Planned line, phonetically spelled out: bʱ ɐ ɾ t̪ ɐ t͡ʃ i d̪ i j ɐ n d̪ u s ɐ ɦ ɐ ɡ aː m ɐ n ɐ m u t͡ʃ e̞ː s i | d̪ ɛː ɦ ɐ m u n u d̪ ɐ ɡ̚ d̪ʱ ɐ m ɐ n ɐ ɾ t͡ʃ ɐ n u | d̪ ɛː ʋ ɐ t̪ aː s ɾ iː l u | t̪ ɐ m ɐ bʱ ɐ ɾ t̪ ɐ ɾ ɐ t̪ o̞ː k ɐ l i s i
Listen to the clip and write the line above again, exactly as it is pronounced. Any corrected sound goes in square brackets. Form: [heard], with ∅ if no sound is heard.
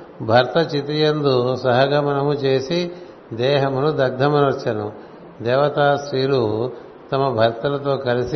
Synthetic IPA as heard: bʱ ɐ ɾ t̪ ɐ t͡ʃ i [t̪] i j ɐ n d̪ u s ɐ ɦ ɐ ɡ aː m ɐ n ɐ m u t͡ʃ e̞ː s i | d̪ ɛː ɦ ɐ m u n u d̪ ɐ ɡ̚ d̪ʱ ɐ m ɐ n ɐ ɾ t͡ʃ ɐ n u | d̪ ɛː ʋ ɐ t̪ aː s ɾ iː l u | t̪ ɐ m ɐ bʱ ɐ ɾ t̪ ɐ [l] ɐ t̪ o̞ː k ɐ l i s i